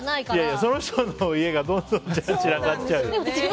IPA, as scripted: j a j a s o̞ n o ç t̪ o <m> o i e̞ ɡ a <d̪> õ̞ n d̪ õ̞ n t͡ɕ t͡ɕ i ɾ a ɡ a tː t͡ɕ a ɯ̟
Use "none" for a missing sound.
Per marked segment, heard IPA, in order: n, d̪

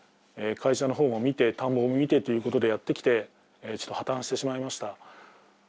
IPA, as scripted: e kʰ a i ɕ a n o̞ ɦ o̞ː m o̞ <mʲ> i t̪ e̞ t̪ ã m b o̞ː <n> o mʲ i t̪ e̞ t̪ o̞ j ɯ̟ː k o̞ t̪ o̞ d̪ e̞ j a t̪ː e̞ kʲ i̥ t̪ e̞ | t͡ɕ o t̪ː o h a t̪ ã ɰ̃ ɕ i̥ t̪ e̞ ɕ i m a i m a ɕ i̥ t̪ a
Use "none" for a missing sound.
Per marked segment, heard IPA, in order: mʲ, m

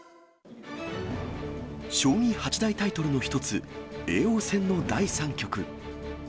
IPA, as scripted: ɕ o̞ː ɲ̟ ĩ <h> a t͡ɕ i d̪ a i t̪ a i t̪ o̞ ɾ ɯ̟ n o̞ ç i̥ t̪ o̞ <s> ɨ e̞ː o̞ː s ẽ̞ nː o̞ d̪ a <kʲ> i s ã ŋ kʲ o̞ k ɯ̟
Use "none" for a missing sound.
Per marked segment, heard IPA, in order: h, t͡s, none

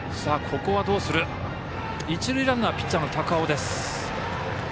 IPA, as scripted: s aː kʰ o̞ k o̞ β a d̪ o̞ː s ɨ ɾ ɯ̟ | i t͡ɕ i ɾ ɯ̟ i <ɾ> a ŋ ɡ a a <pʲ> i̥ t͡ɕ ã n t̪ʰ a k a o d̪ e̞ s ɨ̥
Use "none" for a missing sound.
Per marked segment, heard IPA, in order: ɾ, pʲ

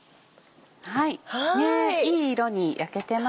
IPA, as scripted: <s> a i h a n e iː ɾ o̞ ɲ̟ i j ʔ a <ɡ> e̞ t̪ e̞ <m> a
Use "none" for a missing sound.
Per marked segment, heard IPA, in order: h, k, m

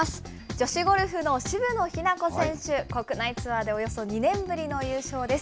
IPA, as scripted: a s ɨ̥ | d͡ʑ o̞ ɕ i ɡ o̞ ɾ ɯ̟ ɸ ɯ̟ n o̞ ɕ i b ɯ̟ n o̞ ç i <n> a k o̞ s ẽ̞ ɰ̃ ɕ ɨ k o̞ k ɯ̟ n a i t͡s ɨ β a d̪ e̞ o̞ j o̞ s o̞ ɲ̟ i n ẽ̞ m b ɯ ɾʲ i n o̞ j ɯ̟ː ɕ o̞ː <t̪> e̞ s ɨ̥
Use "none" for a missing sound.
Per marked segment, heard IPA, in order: n, d̪

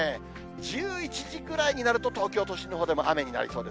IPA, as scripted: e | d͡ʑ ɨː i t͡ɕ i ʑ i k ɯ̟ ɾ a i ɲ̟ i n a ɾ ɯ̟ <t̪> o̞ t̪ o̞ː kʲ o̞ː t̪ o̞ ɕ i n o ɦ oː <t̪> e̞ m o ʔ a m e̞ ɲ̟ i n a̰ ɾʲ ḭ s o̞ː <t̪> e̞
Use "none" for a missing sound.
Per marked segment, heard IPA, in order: t̪, d̪, d̪

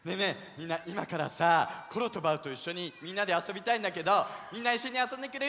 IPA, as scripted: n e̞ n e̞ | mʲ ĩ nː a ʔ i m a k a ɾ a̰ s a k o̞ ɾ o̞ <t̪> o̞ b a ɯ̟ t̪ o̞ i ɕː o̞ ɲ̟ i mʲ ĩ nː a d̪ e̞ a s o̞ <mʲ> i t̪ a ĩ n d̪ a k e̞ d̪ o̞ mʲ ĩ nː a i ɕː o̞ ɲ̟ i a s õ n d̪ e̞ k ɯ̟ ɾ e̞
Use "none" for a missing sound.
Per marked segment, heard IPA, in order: t̪, bʲ

